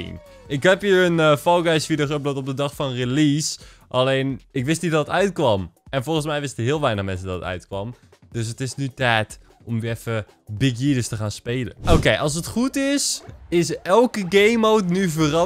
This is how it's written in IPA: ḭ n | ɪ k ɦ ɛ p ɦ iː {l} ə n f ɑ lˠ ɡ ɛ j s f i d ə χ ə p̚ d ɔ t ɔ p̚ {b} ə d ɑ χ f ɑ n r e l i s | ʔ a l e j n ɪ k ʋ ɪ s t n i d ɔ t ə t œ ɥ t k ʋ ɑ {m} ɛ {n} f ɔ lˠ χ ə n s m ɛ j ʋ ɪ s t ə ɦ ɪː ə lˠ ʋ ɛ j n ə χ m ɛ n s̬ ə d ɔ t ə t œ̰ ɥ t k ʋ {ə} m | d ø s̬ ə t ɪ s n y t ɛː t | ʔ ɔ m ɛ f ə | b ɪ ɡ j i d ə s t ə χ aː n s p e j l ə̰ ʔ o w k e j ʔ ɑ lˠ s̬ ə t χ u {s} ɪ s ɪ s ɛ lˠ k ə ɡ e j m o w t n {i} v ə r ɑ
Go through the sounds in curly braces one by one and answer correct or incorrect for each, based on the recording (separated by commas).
incorrect, incorrect, correct, correct, incorrect, incorrect, incorrect